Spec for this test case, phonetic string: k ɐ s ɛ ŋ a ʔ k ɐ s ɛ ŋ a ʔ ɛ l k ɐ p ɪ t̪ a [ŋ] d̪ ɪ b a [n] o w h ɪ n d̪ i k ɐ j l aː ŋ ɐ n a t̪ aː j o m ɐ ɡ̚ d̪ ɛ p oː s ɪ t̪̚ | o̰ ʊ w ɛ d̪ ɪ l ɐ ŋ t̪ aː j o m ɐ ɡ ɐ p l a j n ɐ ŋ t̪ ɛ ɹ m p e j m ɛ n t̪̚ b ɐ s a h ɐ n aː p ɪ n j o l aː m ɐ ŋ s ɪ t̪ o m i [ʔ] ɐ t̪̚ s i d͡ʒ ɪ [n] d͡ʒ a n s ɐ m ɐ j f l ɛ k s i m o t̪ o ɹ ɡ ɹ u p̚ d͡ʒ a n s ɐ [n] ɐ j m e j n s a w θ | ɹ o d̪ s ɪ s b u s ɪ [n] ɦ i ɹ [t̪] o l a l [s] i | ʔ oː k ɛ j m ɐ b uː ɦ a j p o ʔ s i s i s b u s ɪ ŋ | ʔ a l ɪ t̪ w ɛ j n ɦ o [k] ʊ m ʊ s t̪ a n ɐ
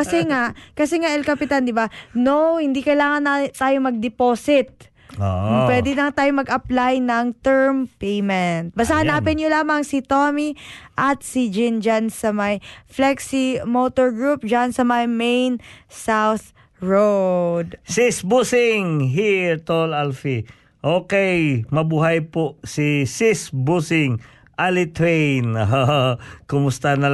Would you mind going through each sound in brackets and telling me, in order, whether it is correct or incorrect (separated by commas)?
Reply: incorrect, correct, correct, correct, incorrect, incorrect, correct, incorrect, correct